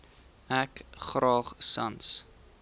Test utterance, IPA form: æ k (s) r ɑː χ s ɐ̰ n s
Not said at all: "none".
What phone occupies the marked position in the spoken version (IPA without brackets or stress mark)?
χ